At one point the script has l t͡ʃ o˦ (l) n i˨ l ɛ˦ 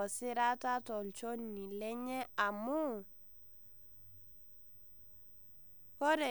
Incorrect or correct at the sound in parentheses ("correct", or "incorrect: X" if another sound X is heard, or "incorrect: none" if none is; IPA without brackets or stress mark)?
incorrect: none